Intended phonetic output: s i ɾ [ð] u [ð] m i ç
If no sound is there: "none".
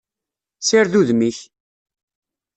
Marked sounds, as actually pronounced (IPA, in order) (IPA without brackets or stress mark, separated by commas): ð, ð